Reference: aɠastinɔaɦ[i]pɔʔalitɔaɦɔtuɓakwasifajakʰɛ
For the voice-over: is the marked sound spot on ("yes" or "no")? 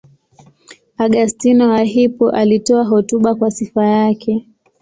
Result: yes